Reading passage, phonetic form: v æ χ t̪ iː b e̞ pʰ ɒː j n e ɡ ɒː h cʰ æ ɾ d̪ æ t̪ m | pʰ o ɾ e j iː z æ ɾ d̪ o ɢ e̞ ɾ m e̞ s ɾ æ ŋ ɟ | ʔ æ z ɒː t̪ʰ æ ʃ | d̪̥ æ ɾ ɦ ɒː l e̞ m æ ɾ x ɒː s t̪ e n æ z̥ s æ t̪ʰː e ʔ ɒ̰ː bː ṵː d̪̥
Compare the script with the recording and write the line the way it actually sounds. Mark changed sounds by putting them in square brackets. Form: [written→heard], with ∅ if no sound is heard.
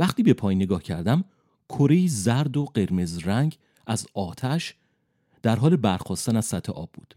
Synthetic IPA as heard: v æ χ t̪ iː b e̞ pʰ ɒː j n e ɡ ɒː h cʰ æ ɾ d̪ æ [t̪→∅] m | [pʰ→kʰ] o ɾ e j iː z æ ɾ d̪ o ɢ e̞ ɾ m e̞ [s→z] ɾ æ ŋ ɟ | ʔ æ z ɒː t̪ʰ æ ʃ | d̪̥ æ ɾ ɦ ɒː l e̞ [m→b] æ ɾ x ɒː s t̪ [e→æ] n æ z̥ s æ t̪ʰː e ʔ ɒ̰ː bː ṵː d̪̥